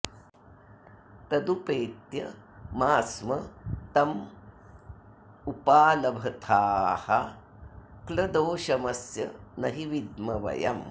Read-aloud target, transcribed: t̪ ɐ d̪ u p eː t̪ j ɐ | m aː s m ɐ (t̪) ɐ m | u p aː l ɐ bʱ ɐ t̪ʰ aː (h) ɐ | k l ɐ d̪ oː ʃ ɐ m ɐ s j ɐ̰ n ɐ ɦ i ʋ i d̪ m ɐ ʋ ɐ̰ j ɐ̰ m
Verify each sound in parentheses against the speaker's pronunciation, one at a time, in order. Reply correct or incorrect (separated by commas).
correct, correct